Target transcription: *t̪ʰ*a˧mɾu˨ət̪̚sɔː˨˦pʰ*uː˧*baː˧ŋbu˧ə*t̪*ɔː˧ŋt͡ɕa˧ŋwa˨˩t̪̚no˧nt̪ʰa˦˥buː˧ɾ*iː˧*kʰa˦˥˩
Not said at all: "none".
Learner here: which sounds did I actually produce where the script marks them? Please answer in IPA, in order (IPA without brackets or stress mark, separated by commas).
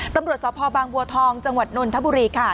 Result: t̪, ɔː˧, t̪ʰ, iː˧